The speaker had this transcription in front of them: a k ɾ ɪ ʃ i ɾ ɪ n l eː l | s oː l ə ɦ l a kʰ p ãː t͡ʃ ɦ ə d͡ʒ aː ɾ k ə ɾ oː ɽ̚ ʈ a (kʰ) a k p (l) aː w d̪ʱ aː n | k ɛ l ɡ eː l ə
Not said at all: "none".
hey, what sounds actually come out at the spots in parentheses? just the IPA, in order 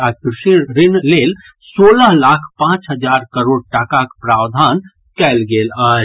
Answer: k, ɾ

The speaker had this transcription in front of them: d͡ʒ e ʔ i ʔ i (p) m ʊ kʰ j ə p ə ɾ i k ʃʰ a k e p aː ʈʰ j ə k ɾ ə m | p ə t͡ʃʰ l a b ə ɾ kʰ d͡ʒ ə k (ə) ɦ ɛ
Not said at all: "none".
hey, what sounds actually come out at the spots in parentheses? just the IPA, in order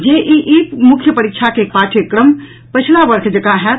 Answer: p, a

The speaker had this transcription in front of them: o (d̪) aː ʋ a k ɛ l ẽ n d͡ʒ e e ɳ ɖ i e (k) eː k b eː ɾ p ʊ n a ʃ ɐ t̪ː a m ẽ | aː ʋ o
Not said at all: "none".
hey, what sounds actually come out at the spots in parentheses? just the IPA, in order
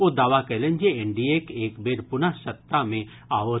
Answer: d̪, k

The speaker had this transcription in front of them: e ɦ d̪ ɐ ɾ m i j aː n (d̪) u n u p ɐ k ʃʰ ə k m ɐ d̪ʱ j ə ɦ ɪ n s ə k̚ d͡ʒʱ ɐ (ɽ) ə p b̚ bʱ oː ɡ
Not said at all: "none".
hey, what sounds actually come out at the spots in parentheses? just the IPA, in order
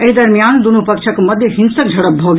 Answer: d̪, ɽ

